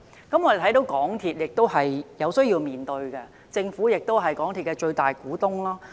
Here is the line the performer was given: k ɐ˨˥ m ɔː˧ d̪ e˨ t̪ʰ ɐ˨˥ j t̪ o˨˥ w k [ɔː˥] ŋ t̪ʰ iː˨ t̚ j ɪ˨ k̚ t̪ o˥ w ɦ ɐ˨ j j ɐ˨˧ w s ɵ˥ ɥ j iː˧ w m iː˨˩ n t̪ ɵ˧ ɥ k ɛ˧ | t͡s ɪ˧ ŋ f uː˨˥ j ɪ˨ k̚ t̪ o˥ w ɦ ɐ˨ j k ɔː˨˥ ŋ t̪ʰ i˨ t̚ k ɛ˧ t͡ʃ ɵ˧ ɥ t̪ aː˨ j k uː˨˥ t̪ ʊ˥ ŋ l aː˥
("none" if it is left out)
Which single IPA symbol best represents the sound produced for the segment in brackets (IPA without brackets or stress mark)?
ɔː˨˥